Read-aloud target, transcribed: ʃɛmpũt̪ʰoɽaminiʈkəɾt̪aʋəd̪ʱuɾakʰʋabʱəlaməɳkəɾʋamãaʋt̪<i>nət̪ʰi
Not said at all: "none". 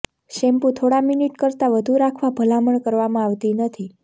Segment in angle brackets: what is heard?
i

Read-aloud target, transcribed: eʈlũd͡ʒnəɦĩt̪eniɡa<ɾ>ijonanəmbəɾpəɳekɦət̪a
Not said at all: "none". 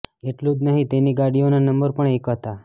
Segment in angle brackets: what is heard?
ɽ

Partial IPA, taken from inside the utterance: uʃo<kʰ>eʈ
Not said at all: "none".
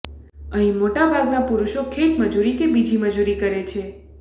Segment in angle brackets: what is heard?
kʰ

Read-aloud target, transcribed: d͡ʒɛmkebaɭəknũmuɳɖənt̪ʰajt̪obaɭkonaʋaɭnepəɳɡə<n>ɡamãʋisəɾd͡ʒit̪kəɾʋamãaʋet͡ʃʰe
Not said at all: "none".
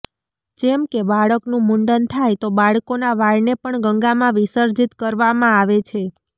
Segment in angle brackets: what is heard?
ŋ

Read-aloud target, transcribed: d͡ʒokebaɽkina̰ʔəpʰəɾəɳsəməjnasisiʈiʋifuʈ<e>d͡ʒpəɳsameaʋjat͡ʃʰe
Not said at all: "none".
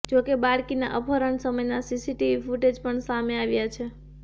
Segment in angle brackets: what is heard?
e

